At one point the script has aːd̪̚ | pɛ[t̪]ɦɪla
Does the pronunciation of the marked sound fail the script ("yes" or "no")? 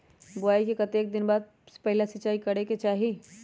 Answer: yes